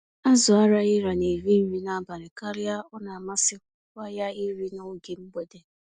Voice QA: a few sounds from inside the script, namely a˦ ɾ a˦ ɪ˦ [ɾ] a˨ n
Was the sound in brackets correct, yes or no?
yes